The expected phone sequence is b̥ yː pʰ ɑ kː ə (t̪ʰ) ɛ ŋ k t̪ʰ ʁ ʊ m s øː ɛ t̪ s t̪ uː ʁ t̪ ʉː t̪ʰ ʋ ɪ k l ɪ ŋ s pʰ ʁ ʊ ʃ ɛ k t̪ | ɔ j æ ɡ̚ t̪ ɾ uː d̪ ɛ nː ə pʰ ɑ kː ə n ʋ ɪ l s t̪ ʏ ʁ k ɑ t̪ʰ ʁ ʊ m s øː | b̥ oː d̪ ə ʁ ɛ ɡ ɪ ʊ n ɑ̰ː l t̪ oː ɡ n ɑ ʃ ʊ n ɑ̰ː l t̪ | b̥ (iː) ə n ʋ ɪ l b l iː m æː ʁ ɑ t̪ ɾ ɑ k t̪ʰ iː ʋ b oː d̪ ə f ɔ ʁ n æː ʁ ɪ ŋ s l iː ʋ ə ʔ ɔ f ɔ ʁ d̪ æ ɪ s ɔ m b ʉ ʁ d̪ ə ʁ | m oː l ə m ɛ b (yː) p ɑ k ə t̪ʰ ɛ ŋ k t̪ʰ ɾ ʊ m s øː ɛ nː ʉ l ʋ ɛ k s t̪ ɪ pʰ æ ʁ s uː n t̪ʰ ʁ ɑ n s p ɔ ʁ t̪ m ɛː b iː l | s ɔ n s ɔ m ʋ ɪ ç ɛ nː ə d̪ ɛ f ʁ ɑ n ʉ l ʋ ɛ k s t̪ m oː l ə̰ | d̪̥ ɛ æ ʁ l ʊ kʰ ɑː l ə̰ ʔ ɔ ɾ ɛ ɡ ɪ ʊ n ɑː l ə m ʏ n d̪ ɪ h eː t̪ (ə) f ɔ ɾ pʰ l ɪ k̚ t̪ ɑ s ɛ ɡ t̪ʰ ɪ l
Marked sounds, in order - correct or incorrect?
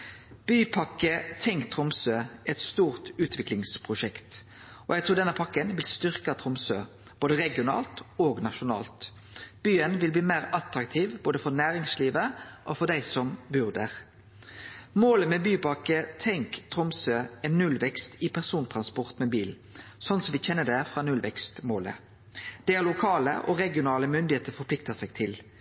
correct, incorrect, correct, correct

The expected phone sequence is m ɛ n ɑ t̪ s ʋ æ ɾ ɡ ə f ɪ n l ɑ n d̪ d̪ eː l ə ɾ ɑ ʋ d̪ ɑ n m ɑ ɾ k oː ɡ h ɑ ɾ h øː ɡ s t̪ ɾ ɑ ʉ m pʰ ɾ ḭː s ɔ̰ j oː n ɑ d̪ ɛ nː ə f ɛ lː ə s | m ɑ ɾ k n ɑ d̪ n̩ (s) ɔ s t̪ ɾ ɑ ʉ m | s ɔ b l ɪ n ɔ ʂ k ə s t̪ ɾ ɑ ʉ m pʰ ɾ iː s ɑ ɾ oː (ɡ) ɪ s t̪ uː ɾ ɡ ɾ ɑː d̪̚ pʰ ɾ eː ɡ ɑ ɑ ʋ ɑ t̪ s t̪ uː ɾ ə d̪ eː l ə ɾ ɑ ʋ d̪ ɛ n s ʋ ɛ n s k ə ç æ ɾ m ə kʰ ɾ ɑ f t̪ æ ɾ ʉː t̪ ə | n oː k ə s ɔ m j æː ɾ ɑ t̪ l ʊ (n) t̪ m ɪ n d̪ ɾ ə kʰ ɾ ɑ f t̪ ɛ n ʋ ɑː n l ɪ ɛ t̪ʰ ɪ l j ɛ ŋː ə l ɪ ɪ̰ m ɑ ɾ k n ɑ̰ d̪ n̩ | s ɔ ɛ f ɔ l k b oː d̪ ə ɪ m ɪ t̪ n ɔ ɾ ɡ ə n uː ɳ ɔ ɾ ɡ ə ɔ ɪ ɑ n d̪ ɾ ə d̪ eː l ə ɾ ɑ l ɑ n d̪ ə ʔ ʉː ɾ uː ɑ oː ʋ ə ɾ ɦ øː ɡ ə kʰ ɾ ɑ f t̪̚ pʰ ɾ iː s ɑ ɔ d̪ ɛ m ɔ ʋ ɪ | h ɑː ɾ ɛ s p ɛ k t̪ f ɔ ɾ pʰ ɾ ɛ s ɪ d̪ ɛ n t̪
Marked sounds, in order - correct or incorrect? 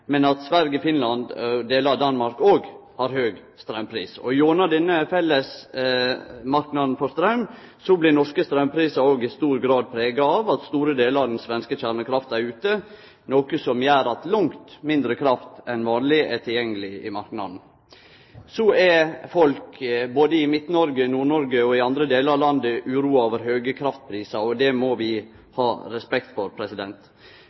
incorrect, correct, incorrect

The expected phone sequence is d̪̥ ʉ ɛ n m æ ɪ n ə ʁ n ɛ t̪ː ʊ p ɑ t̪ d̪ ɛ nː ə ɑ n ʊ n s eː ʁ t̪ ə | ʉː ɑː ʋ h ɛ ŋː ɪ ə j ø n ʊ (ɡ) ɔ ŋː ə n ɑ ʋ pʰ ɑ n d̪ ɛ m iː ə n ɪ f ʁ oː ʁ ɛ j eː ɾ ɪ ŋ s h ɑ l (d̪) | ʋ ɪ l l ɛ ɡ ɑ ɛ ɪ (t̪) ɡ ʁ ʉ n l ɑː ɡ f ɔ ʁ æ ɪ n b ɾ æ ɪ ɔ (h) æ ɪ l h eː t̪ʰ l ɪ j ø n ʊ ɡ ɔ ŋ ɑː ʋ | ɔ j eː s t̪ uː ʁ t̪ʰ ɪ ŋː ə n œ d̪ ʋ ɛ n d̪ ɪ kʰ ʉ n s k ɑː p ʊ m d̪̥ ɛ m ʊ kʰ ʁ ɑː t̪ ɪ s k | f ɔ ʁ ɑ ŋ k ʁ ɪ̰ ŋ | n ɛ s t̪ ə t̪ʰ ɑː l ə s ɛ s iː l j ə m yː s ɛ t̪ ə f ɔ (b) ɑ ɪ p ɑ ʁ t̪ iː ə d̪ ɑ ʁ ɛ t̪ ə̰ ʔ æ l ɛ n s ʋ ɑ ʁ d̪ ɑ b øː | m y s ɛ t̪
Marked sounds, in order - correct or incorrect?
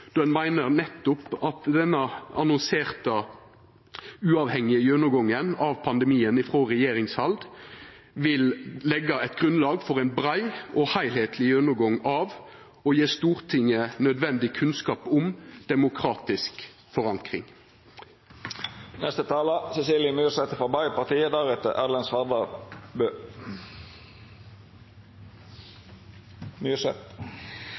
correct, correct, correct, correct, correct

